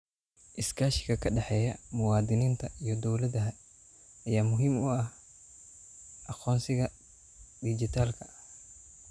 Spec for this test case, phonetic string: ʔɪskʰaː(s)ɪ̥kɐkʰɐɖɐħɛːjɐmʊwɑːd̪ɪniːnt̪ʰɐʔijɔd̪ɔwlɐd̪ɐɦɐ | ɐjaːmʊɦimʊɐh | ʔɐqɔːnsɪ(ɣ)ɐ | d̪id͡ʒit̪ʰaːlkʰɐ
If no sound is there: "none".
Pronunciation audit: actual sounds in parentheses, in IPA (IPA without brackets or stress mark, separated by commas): ʃ, ɣ